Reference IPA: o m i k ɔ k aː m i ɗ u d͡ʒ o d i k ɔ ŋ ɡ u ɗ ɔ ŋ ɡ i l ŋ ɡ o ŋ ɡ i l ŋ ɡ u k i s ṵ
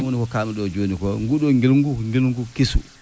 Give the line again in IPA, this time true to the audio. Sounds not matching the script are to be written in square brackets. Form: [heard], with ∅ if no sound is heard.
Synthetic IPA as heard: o [n] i k ɔ k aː m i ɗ [ɔ] d͡ʒ o [n] i k ɔ ŋ ɡ u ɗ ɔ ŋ ɡ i l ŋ ɡ [u] ŋ ɡ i l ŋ ɡ u k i s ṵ